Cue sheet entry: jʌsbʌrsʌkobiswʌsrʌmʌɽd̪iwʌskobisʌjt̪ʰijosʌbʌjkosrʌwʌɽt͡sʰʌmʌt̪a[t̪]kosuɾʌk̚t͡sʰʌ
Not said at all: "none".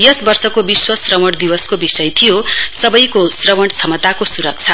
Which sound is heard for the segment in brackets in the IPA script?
none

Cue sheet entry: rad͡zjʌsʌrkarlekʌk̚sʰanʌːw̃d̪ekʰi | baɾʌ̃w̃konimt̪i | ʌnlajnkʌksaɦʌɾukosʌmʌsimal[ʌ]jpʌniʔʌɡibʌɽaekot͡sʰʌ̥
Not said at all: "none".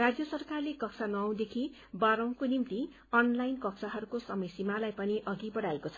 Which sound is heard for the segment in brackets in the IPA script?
a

